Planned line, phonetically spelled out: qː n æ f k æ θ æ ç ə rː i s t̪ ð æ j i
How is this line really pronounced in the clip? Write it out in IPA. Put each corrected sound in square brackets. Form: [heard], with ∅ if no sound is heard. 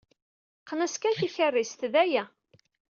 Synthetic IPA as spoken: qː n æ [s] k æ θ [i] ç ə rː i s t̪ ð æ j [æ]